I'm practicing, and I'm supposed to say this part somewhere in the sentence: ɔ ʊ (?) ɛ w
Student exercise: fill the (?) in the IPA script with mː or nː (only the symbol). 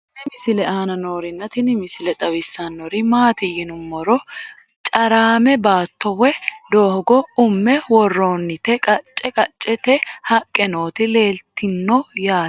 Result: mː